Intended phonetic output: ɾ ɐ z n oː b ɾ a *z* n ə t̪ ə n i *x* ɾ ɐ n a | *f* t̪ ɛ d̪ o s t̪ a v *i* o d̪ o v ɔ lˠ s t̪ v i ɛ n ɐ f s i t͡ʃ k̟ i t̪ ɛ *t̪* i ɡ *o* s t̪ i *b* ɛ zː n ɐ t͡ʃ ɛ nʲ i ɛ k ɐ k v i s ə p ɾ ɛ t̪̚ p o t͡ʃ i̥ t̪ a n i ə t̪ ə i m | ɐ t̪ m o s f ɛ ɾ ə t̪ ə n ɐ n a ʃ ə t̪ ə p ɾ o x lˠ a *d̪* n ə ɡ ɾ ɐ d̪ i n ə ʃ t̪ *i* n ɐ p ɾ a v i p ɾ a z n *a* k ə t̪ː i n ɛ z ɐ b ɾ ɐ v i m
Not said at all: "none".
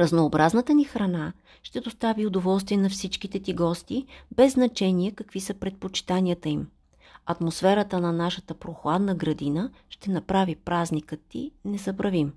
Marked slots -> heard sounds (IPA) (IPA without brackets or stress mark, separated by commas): z, x, ʃ, i, t̪, ɔ, b, d̪, ɛ, i